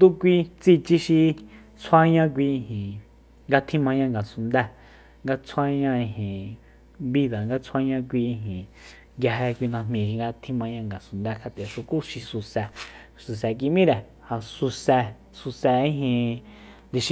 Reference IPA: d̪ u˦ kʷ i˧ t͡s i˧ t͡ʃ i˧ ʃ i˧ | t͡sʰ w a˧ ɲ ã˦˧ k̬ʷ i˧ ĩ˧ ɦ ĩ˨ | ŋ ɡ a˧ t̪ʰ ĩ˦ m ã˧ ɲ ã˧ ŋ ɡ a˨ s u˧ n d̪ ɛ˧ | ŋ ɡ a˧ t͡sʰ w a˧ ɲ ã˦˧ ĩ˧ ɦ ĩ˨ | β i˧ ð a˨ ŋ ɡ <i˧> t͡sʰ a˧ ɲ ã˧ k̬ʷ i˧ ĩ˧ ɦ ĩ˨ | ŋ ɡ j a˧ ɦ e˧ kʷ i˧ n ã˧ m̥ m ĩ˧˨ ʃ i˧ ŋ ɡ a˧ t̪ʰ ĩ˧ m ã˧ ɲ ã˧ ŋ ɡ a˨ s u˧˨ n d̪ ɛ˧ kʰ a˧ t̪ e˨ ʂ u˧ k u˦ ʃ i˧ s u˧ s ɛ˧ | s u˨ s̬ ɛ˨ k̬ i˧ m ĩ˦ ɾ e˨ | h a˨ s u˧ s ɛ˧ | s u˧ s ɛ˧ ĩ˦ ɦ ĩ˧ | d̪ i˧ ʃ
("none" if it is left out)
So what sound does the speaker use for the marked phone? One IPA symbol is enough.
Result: a˧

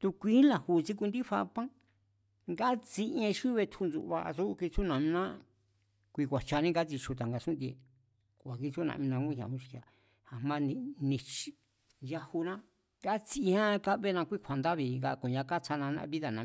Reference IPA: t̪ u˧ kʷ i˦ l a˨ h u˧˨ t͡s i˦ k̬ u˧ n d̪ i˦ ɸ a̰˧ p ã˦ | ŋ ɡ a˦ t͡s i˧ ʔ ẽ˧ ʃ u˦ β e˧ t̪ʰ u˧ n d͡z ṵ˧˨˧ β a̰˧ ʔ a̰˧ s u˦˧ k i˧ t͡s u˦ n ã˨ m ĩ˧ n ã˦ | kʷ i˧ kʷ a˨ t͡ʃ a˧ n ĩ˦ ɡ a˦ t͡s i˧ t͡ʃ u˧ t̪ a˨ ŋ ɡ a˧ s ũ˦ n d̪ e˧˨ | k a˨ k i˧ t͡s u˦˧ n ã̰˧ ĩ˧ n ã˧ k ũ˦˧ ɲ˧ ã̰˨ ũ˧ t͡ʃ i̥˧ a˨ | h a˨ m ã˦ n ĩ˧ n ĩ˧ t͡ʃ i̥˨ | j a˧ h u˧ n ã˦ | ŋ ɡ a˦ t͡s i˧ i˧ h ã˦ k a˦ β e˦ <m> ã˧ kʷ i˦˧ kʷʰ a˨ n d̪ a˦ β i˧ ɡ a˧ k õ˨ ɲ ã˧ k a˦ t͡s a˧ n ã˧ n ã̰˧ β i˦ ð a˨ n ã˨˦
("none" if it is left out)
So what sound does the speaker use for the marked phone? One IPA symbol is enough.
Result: n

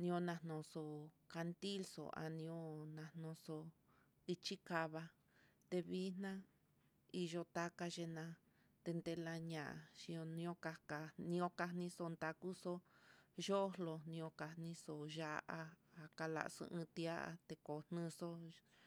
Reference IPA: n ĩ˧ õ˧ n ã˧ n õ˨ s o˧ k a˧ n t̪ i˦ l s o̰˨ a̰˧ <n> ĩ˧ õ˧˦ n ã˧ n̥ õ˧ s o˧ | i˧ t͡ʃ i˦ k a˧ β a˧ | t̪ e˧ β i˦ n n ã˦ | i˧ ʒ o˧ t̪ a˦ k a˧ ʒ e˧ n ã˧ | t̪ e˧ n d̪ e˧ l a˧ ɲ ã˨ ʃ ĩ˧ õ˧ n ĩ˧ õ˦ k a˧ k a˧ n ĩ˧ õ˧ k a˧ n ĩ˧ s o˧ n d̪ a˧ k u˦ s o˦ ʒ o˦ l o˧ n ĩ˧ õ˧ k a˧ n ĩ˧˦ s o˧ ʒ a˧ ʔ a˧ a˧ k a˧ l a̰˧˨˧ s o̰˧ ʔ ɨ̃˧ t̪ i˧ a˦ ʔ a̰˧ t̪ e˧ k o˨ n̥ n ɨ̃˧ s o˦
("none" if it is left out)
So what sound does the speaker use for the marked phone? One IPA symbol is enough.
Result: n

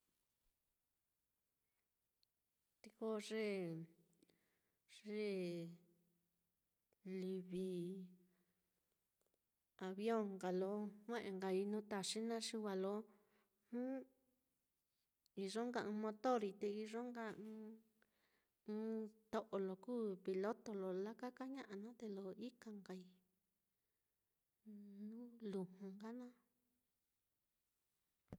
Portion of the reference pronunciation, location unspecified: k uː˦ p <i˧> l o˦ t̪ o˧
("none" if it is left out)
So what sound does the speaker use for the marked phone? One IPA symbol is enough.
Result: i˧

